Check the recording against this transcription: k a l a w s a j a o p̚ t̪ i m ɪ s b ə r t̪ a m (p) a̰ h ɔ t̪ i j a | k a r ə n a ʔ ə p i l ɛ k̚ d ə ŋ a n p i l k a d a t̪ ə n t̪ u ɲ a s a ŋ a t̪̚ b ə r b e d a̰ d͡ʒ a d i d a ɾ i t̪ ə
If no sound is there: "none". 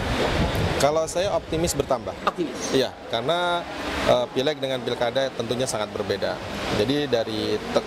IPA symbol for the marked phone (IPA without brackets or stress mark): b